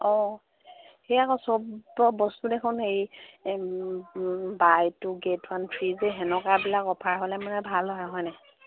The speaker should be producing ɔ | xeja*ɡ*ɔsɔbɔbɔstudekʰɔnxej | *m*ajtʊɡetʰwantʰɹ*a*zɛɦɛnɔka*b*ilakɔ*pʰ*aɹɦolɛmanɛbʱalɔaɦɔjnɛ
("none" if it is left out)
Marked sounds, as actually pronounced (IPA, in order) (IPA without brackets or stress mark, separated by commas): k, b, i, b, pʰ